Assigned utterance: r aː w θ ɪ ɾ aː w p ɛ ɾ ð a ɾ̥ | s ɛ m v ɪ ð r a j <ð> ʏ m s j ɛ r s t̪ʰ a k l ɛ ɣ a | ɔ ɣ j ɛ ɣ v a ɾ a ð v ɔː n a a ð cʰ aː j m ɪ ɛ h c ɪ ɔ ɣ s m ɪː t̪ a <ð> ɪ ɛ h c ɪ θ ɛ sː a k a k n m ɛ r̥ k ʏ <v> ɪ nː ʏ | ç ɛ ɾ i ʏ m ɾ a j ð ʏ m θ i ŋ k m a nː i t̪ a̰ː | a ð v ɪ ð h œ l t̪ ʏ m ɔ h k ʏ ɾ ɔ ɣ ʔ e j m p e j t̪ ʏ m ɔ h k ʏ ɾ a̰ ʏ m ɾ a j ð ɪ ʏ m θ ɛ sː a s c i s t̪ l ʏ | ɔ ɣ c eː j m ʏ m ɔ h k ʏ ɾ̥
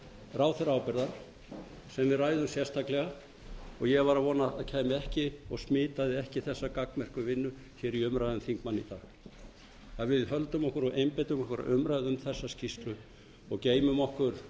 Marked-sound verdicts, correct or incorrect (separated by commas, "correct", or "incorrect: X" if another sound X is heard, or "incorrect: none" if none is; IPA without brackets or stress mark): correct, correct, correct